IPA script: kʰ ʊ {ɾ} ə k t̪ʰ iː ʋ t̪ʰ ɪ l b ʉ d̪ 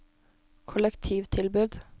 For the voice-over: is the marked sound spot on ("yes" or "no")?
no